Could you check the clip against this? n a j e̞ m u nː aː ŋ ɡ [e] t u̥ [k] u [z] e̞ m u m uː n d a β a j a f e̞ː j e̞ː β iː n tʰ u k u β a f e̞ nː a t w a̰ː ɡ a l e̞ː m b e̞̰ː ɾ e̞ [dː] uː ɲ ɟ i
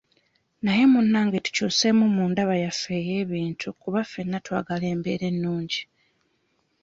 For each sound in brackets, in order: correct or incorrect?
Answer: correct, incorrect, incorrect, incorrect

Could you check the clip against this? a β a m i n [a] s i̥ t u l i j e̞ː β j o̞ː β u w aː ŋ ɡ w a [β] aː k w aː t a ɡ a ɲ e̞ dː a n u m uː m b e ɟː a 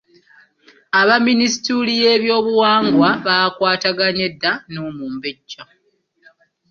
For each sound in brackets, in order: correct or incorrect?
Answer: incorrect, correct

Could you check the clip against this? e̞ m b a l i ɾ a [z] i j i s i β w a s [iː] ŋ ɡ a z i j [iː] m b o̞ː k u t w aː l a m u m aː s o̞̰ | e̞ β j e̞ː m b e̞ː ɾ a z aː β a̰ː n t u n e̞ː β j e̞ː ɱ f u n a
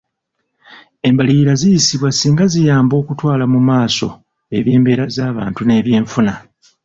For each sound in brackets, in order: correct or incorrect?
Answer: correct, correct, incorrect

